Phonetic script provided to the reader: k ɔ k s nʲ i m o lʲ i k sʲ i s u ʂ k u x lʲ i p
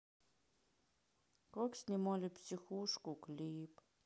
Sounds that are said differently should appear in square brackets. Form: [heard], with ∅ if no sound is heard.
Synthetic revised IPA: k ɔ k s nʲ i m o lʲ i [p] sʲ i [x] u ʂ k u [k] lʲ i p